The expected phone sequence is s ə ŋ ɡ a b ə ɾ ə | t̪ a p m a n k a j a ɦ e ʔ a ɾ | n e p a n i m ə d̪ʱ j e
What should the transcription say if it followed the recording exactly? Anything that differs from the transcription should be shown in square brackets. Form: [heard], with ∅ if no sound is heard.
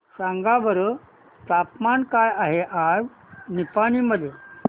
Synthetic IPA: s [a] ŋ ɡ a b ə ɾ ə | t̪ a p m a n k a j a ɦ e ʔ a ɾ | n [i] p a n i m ə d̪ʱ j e